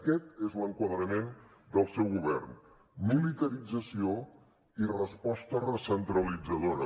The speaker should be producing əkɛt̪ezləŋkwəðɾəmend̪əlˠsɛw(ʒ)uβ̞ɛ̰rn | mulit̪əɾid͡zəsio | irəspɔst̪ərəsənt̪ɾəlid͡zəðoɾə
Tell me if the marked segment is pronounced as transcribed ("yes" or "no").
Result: no